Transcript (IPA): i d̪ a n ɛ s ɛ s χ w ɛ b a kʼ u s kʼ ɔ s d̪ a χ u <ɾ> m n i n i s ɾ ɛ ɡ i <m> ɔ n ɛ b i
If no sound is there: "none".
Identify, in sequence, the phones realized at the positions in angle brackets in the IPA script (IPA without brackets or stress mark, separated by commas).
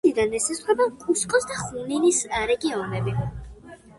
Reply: none, none